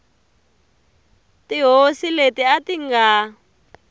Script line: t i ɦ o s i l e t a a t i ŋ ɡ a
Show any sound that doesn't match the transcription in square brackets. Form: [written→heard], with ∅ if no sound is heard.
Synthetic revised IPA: t i ɦ o s i l e t [a→i] a t i ŋ ɡ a